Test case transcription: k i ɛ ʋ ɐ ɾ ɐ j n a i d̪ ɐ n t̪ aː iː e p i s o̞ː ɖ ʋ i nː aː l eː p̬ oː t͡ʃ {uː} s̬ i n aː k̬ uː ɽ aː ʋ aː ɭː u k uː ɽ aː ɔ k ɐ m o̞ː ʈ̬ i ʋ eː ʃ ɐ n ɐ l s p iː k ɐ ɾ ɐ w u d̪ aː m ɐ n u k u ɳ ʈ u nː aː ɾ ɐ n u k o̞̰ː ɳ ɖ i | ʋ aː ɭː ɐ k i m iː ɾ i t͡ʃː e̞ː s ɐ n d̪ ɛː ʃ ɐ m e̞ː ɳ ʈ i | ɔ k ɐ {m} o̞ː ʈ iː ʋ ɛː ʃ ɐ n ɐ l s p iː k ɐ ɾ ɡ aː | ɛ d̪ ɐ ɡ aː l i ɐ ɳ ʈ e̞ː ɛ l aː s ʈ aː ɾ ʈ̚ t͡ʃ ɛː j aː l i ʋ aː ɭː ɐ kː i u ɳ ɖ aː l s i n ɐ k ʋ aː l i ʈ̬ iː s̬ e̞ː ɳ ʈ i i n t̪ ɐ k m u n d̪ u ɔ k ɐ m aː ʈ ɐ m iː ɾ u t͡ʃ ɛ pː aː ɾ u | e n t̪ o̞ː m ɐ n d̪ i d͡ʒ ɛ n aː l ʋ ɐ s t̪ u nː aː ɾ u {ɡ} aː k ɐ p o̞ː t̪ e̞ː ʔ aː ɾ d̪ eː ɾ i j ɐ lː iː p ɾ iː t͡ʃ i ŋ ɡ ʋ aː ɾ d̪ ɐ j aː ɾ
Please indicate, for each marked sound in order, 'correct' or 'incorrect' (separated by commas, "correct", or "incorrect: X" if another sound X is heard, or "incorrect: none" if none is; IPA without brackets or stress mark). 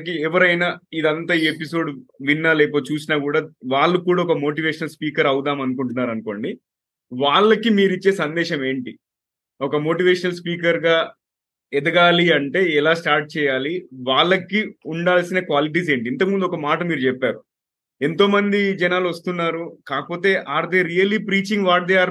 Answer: correct, correct, incorrect: k